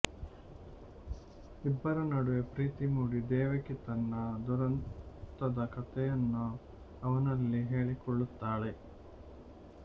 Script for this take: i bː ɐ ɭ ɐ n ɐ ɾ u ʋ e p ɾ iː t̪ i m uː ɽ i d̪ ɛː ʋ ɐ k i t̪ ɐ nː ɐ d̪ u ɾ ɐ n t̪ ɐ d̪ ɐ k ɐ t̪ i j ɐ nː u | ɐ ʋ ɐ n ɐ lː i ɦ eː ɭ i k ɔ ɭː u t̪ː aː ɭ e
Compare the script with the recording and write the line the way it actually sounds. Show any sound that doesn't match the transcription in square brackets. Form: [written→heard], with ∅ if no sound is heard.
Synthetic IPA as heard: i bː ɐ [ɭ→ɾ] ɐ n ɐ [ɾ→ɽ] u ʋ e p ɾ iː t̪ i m uː ɽ i d̪ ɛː ʋ ɐ k i t̪ ɐ nː ɐ d̪ u ɾ ɐ n t̪ ɐ d̪ ɐ k ɐ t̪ [i→ɛ] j ɐ nː u | ɐ ʋ ɐ n ɐ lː i ɦ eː ɭ i k ɔ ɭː u t̪ː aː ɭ e